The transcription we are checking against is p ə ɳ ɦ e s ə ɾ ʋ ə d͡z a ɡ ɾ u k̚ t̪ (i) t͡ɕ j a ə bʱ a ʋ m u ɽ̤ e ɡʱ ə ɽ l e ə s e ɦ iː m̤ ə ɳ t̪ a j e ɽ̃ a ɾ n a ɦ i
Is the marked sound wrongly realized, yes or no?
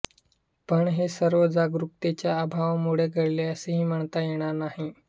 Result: yes